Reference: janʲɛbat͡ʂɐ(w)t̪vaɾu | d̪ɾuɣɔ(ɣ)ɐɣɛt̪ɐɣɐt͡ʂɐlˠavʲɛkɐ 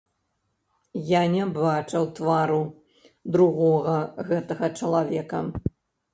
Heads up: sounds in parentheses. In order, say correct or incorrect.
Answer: correct, correct

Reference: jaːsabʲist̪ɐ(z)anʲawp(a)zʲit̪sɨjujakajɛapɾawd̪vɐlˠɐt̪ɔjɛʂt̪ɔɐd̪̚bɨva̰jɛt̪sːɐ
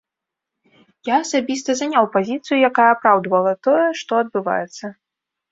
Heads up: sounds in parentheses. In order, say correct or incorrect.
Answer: correct, correct

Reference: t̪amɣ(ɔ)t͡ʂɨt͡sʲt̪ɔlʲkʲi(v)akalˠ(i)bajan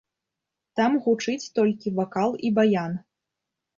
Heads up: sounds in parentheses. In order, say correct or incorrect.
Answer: incorrect: u, correct, correct

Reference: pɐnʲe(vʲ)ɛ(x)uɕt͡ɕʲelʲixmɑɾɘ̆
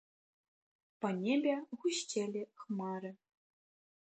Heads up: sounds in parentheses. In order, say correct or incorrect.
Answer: incorrect: bʲ, incorrect: ɣ

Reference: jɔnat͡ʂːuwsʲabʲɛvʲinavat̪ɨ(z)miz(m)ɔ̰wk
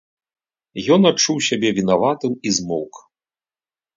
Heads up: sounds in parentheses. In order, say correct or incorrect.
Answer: incorrect: none, correct

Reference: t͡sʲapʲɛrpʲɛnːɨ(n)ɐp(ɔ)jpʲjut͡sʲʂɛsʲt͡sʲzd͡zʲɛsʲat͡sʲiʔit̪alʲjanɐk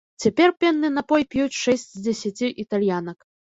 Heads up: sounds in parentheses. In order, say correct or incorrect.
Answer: correct, correct

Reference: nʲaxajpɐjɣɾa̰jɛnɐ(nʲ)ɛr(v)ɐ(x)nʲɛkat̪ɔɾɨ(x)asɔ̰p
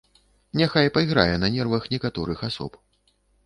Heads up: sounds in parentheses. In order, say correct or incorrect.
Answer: correct, correct, correct, correct

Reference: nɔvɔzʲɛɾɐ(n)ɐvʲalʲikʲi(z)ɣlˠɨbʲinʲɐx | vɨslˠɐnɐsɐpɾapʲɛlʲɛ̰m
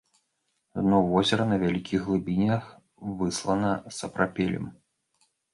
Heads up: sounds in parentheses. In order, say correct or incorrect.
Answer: correct, incorrect: ɣ

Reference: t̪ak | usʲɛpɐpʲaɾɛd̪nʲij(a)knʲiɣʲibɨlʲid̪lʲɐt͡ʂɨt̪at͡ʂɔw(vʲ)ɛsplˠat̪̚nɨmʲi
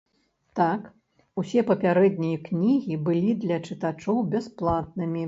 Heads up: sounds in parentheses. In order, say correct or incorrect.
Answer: incorrect: ɐ, incorrect: bʲ

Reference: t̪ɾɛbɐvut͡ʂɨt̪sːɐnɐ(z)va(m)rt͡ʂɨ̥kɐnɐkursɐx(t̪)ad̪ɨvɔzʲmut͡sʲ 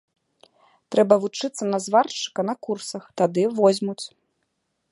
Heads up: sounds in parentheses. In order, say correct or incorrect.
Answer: correct, incorrect: none, correct

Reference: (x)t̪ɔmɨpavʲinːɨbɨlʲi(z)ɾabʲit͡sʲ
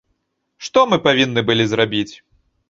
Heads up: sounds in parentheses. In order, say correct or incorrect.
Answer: incorrect: ʂ, correct

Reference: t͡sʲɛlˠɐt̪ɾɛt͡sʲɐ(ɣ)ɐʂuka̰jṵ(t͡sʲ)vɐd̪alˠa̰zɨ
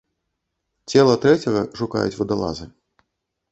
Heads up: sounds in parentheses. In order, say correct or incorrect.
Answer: correct, correct

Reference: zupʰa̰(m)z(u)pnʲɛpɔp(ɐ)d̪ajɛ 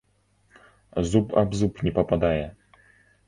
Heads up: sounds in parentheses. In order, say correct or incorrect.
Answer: incorrect: b, correct, incorrect: a

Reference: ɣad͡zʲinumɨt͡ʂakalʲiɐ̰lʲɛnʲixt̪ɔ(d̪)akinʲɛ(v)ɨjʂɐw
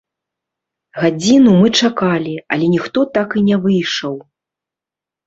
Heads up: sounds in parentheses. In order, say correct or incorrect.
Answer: incorrect: t̪, correct

